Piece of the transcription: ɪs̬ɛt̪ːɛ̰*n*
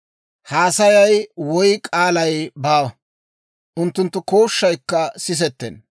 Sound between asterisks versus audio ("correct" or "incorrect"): correct